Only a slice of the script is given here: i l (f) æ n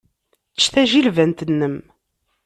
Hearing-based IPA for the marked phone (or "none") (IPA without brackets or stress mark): v